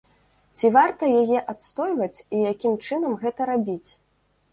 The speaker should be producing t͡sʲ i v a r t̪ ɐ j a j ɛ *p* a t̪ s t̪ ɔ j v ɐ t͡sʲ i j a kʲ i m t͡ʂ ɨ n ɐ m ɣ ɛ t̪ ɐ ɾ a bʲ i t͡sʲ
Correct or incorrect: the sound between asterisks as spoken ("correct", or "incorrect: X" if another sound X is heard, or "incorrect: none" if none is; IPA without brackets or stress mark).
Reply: incorrect: ʔ